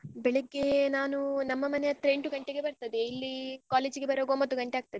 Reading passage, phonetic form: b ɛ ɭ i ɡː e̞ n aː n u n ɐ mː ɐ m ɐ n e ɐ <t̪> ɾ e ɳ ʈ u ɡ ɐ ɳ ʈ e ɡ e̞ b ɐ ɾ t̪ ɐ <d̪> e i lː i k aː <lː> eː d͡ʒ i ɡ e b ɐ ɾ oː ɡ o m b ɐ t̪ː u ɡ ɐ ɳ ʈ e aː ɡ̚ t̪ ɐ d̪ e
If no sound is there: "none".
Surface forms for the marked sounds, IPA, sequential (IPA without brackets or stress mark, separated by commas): t̪, d̪, l